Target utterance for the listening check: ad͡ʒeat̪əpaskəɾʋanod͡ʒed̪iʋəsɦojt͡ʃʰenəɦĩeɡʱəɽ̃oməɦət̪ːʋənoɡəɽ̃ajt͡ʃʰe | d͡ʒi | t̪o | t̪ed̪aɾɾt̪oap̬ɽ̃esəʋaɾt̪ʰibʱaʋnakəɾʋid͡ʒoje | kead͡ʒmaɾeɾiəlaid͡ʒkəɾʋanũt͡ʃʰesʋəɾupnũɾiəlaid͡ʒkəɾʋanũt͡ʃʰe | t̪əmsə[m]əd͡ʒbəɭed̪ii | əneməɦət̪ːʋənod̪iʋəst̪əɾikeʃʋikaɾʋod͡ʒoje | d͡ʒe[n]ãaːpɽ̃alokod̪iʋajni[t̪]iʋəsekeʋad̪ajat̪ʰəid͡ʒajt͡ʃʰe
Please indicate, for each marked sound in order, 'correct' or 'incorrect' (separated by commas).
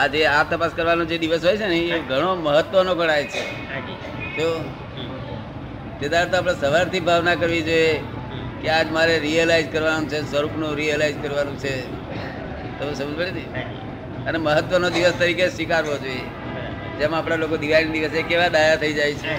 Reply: correct, incorrect, incorrect